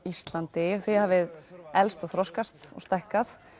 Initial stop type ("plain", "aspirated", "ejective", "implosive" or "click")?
plain